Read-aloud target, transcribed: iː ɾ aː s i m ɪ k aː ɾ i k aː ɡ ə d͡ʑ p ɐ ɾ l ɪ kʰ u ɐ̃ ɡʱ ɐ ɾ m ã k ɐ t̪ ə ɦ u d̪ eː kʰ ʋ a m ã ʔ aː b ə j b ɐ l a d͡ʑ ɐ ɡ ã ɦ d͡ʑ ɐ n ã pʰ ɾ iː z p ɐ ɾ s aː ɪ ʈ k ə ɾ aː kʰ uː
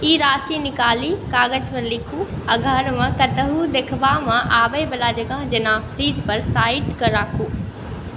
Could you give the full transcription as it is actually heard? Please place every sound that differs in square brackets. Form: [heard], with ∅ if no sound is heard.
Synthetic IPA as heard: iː ɾ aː s i [n] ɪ k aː [l] i k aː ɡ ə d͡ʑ p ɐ ɾ l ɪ kʰ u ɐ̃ ɡʱ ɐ ɾ m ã k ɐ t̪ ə ɦ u d̪ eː kʰ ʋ a m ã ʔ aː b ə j b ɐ l a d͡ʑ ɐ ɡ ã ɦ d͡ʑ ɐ n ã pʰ ɾ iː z p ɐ ɾ s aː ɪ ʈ k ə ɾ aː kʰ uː